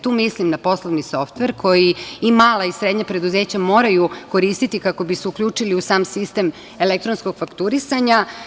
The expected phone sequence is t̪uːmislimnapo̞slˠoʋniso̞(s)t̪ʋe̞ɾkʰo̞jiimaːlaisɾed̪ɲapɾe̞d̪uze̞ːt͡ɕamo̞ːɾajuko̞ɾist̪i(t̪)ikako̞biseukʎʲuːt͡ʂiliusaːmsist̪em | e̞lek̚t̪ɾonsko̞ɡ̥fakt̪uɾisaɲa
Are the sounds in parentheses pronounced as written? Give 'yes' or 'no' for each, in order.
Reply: no, yes

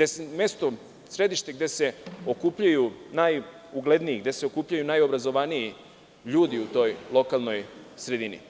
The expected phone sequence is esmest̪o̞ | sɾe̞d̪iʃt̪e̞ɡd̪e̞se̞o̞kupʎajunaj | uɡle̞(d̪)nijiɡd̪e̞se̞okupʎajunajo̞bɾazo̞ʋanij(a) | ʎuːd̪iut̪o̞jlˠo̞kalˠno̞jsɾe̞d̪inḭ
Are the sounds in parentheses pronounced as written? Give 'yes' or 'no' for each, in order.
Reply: yes, no

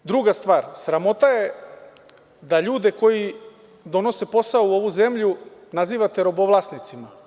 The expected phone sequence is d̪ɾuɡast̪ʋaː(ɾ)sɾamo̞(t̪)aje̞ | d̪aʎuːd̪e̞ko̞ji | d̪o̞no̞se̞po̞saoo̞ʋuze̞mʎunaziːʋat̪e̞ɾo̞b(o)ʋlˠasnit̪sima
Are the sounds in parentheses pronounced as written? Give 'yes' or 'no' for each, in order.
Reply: yes, yes, yes

